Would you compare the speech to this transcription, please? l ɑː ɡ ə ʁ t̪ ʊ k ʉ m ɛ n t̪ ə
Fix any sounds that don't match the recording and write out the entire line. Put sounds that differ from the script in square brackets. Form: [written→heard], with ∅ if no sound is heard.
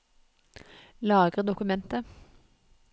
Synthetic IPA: l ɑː ɡ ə ʁ [t̪→d̪] ʊ k ʉ m ɛ n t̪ ə